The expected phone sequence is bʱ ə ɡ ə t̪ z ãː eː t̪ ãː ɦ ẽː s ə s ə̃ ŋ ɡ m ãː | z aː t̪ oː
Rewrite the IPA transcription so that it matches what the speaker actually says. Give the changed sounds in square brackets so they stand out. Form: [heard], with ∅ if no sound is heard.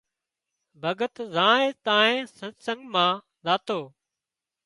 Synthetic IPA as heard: bʱ ə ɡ ə t̪ z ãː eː t̪ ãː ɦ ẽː s ə s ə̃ ŋ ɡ m ãː | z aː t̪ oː